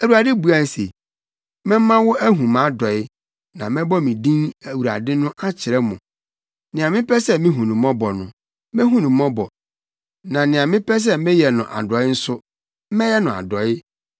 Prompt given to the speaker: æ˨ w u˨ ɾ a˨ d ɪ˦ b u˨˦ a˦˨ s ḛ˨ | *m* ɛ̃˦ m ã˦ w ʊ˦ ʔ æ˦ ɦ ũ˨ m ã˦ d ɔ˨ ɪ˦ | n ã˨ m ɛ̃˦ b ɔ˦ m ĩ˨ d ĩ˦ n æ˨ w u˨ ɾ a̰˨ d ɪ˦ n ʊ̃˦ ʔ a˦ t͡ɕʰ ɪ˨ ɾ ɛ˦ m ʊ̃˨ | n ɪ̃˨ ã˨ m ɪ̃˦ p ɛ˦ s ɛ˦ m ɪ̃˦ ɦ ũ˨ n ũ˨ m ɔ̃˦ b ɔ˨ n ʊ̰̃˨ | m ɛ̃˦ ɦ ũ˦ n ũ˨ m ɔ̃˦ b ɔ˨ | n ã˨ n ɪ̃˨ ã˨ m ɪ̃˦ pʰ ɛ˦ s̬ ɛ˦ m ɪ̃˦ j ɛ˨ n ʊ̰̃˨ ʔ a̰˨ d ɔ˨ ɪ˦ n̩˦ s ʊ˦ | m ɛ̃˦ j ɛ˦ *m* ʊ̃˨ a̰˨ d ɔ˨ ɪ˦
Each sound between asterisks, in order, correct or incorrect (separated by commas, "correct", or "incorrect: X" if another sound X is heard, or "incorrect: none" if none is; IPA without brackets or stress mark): correct, incorrect: n